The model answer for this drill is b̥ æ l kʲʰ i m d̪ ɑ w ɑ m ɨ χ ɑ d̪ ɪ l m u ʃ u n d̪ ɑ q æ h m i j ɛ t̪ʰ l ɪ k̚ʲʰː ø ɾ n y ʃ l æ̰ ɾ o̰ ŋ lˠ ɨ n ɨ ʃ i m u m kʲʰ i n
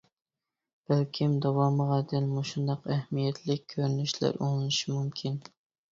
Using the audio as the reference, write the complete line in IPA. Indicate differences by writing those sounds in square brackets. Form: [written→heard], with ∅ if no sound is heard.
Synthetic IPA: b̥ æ l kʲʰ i m d̪ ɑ w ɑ m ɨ [χ→ʁ] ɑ d̪ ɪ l m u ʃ u n d̪ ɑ q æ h m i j ɛ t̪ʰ l ɪ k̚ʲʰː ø ɾ n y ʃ l æ̰ ɾ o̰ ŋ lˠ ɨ n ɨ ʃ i m u m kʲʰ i n